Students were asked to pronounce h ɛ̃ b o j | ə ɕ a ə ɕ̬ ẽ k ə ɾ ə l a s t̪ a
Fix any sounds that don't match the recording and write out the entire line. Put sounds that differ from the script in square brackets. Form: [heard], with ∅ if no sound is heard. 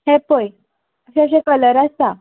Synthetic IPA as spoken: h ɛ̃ [p] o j | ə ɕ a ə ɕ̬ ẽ k ə [l] ə [ɾ] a s t̪ a